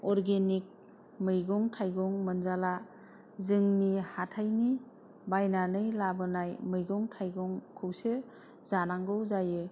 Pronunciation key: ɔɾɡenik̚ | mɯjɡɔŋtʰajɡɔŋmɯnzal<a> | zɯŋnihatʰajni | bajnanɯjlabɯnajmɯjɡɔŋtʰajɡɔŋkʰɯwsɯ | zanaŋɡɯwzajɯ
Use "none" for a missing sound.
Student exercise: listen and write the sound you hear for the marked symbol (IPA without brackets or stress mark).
a